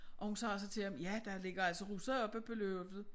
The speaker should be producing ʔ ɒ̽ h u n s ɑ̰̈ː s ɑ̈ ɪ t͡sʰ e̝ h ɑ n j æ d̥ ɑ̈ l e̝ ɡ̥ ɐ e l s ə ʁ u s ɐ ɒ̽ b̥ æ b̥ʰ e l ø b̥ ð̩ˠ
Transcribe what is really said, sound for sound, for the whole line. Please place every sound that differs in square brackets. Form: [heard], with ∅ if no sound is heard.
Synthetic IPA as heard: ʔ ɒ̽ h u n s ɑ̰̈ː s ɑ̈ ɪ t͡sʰ e̝ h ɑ [m] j æ d̥ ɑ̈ l e̝ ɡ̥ ɐ [æ] l s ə ʁ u s ɐ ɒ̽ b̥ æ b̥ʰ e l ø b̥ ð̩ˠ